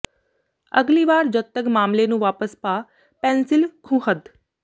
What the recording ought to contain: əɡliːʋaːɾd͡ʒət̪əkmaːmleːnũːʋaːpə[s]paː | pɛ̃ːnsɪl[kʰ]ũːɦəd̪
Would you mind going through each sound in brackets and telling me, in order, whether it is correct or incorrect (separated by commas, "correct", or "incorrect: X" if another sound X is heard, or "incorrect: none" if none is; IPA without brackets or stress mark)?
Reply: correct, correct